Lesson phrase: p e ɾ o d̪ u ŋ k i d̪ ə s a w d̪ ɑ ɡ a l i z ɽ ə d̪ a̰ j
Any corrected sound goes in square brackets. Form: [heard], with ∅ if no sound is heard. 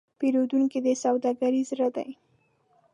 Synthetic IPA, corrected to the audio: p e ɾ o d̪ u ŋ k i d̪ ə s a w d̪ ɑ ɡ a [ɾ] i z [ɾ] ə d̪ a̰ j